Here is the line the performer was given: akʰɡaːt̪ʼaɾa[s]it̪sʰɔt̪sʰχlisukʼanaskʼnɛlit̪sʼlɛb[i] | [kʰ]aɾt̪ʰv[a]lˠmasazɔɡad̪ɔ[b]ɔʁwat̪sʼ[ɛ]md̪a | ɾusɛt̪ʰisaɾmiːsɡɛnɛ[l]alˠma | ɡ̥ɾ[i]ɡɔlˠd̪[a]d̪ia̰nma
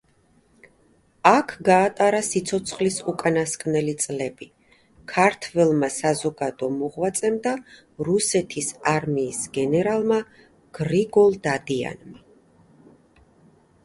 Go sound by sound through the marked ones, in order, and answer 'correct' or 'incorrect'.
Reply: correct, correct, correct, incorrect: ɛ, incorrect: m, correct, incorrect: ɾ, correct, correct

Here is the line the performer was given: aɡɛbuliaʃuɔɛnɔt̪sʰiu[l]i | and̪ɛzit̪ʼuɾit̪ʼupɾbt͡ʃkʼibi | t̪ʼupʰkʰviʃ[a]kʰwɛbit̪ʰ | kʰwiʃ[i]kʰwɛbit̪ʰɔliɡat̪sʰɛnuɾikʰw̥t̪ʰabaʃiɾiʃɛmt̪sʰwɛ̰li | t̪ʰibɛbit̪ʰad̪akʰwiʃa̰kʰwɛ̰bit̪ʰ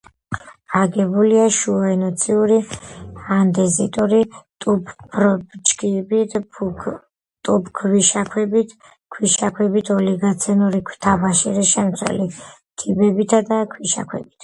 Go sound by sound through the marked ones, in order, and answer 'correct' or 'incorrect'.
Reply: incorrect: ɾ, correct, incorrect: a

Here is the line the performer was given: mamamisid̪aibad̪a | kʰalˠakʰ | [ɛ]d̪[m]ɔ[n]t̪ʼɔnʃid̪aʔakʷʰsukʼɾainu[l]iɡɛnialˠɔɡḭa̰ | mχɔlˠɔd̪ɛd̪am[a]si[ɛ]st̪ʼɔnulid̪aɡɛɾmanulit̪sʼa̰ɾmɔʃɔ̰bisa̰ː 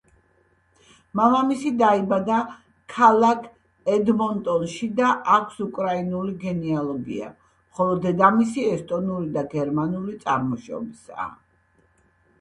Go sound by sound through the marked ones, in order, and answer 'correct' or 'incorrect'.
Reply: correct, correct, correct, correct, incorrect: i, correct

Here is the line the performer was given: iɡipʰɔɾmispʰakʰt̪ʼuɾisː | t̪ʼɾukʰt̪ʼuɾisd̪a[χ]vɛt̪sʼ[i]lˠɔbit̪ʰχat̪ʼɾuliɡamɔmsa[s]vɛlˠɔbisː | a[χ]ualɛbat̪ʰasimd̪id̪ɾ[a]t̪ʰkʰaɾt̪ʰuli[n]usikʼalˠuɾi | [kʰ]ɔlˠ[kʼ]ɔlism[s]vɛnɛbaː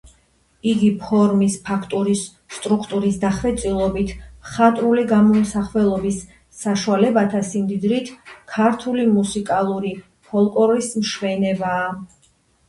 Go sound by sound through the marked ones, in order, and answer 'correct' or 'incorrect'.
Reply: correct, correct, incorrect: χ, incorrect: ʃ, incorrect: i, incorrect: m, incorrect: pʰ, correct, incorrect: ʃ

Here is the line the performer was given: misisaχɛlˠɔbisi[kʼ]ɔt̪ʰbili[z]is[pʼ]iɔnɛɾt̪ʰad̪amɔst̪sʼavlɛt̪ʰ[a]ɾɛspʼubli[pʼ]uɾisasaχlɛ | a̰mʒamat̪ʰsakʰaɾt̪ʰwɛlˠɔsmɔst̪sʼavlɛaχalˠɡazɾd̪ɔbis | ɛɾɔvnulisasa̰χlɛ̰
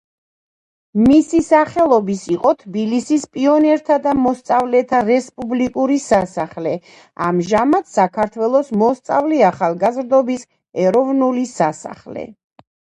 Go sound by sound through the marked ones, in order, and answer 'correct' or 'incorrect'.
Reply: incorrect: qʼ, incorrect: s, correct, correct, incorrect: kʼ

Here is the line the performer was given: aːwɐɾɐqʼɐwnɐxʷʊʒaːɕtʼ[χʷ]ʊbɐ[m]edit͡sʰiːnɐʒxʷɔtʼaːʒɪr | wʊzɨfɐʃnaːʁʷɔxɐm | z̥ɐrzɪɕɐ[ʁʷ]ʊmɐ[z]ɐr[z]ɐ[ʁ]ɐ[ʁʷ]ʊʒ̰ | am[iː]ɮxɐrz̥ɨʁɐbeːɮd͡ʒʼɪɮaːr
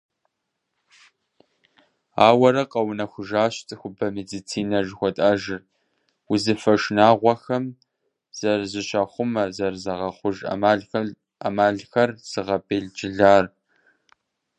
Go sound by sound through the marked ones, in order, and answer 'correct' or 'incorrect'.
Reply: incorrect: xʷ, correct, incorrect: χʷ, correct, correct, correct, incorrect: χʷ, incorrect: aː

